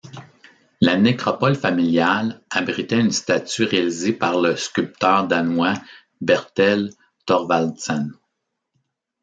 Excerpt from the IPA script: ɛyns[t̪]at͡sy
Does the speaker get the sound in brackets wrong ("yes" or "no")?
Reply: no